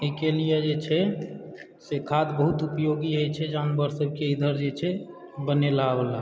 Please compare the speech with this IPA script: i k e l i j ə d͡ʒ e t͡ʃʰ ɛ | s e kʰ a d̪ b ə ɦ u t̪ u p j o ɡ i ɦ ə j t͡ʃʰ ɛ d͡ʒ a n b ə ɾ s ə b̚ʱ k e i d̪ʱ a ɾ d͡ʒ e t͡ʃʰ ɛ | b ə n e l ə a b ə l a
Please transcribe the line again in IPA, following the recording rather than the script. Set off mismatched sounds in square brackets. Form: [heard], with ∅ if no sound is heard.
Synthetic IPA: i k e l i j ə d͡ʒ e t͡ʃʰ ɛ | s e kʰ a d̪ b ə ɦ u t̪ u p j o ɡ i ɦ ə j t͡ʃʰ ɛ d͡ʒ a n b ə ɾ s ə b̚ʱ k e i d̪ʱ [ə] ɾ d͡ʒ e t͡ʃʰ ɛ | b ə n e l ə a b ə l a